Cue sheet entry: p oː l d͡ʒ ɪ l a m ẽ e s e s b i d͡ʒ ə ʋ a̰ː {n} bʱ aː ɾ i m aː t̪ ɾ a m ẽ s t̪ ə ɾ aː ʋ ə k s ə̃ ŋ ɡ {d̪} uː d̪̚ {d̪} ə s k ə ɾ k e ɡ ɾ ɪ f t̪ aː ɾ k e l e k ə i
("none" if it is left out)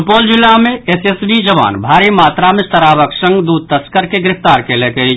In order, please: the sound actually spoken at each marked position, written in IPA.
n, d̪, t̪

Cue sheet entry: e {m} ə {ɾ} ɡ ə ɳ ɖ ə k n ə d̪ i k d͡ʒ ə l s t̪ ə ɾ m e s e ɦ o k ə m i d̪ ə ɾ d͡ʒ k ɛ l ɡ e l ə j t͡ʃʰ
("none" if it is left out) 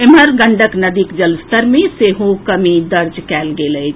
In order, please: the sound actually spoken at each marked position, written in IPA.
m, ɾ

